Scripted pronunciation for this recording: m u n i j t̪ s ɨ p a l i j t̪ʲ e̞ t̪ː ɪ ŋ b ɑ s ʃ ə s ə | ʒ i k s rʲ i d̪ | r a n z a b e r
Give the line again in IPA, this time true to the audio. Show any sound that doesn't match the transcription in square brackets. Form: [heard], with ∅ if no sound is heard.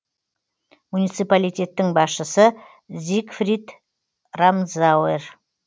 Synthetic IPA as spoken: m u n i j t̪ s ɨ p a l i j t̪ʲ e̞ t̪ː ɪ ŋ b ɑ s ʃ ə s ə | [z] i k [f] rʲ i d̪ | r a [m] z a [w] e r

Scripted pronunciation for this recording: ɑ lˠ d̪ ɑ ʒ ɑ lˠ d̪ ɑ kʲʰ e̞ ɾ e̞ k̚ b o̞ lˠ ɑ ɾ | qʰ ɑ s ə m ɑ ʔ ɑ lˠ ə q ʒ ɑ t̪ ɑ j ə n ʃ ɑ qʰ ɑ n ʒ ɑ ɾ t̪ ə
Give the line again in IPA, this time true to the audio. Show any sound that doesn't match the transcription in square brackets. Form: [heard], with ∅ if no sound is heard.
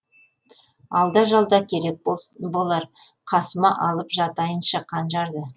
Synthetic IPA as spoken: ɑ lˠ d̪ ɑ ʒ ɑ lˠ d̪ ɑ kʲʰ e̞ ɾ e̞ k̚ b o̞ lˠ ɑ ɾ | qʰ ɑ s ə m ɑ ʔ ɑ lˠ ə [p] ʒ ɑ t̪ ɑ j ə n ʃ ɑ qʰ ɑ n ʒ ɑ ɾ [d̪] ə

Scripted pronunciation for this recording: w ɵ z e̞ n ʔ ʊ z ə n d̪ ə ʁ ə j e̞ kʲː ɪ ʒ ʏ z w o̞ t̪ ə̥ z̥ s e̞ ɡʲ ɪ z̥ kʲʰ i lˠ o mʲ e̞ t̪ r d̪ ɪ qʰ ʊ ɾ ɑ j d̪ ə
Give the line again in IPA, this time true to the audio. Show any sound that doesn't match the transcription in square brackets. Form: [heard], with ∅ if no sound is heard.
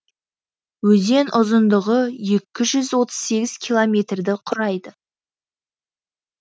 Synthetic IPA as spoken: w ɵ z e̞ n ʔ ʊ z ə n d̪ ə ʁ ə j e̞ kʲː ɪ ʒ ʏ z w o̞ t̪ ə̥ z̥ s e̞ ɡʲ ɪ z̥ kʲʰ i lˠ o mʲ e̞ t̪ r d̪ ɪ qʰ ʊ ɾ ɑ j d̪ ə

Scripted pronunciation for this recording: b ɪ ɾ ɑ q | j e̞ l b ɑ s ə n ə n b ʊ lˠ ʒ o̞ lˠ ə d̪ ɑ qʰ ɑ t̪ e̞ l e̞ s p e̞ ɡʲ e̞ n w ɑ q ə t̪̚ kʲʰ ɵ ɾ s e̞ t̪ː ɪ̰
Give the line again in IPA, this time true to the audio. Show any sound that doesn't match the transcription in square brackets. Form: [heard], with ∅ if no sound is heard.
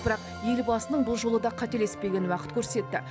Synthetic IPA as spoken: b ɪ ɾ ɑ q | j e̞ l b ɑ s ə n ə [ɴ] b ʊ lˠ ʒ o̞ lˠ ə d̪ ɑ qʰ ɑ t̪ e̞ l e̞ s p e̞ ɡʲ e̞ n w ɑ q ə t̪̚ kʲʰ ɵ ɾ s e̞ t̪ː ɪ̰

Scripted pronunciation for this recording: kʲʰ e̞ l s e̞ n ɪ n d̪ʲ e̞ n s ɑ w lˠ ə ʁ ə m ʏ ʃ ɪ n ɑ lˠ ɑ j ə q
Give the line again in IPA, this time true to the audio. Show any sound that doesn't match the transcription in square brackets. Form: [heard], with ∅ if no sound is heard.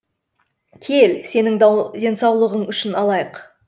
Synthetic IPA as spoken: kʲʰ e̞ l s e̞ n ɪ [ŋ] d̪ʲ e̞ n s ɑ w lˠ ə ʁ ə [ɴ] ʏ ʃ ɪ n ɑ lˠ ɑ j ə q

